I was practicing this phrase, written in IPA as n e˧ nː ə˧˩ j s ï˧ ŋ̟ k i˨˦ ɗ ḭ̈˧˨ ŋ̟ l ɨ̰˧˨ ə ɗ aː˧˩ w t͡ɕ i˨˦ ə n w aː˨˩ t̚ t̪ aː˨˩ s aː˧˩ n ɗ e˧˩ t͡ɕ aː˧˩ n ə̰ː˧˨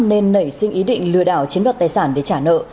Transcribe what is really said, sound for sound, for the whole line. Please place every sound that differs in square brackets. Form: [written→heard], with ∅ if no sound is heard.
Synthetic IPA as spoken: n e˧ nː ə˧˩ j s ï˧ ŋ̟ [k→ʔ] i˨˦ ɗ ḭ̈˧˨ ŋ̟ l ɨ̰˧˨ ə ɗ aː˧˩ w t͡ɕ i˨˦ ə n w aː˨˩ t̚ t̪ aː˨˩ s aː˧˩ n ɗ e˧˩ t͡ɕ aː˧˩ n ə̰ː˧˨